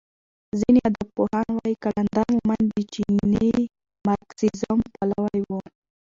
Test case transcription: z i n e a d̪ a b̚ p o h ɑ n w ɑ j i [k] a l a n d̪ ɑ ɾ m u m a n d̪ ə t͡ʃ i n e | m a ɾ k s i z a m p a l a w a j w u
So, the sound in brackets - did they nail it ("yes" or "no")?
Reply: yes